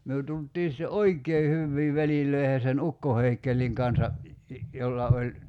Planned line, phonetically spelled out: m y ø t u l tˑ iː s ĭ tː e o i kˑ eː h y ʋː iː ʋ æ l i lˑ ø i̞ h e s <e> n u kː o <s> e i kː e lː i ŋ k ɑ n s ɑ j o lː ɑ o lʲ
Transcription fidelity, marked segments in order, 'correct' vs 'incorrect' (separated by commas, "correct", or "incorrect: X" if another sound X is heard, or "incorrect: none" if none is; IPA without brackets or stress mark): correct, incorrect: h